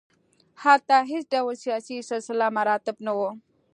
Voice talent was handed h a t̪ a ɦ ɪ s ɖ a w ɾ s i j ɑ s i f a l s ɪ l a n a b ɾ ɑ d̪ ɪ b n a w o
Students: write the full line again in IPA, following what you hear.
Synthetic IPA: h a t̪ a ɦ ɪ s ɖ a w l s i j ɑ s i s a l s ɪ l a m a ɾ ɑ t̪ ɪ b n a w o